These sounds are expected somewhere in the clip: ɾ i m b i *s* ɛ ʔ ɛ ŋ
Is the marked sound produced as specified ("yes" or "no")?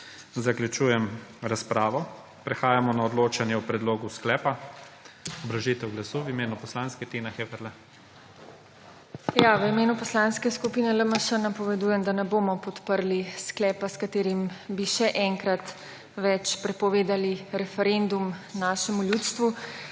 no